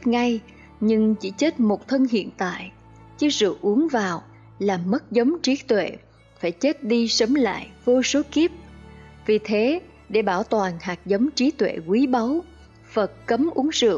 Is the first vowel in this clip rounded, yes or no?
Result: no